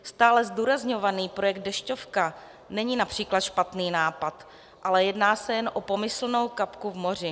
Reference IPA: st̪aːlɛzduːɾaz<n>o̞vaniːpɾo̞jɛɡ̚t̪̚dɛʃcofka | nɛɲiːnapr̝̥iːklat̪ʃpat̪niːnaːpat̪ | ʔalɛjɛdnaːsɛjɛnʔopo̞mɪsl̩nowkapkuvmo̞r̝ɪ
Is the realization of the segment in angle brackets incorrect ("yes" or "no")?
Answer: yes